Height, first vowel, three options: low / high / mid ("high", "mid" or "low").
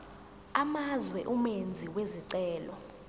low